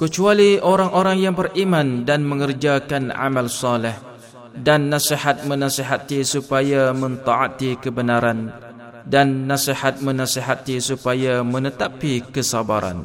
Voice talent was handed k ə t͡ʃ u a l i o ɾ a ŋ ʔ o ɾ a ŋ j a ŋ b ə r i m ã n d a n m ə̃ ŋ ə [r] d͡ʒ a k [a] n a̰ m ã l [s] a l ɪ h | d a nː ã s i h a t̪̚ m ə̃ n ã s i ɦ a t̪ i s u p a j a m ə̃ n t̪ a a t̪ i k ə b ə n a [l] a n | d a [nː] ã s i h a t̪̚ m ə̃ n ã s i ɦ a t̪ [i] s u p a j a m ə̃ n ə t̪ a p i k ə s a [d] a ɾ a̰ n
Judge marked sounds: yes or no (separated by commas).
yes, yes, yes, no, yes, yes, no